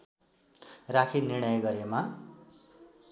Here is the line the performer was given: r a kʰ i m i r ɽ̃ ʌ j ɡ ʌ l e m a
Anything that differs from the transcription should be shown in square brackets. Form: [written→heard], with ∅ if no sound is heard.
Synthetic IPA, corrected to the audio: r a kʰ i [m→n] i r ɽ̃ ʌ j ɡ ʌ [l→ɾ] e m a